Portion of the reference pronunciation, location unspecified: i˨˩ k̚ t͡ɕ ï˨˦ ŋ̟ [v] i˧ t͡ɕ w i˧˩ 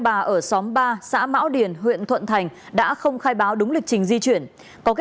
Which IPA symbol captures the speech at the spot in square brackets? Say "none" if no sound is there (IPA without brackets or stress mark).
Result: z